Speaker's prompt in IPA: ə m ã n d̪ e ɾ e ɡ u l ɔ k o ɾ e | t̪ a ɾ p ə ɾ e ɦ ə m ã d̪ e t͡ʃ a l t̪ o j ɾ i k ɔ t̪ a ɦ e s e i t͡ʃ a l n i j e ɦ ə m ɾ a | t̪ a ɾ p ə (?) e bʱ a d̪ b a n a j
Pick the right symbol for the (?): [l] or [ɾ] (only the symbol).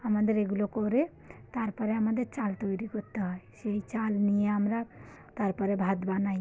ɾ